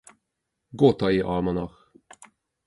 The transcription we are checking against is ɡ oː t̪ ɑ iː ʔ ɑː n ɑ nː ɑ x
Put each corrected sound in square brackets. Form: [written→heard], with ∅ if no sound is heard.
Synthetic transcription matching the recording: ɡ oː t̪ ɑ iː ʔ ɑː [n→m] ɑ [nː→n] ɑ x